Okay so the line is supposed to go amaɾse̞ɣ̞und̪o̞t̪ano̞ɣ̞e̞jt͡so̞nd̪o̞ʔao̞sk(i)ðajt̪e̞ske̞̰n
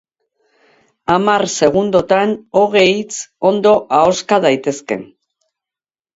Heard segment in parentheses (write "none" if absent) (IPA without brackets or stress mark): a